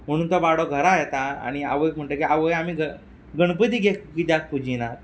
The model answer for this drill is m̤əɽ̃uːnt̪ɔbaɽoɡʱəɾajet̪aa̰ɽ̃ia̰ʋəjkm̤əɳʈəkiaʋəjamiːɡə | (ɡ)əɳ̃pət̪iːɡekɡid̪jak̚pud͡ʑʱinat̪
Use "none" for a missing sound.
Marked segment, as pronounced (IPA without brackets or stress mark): ɡ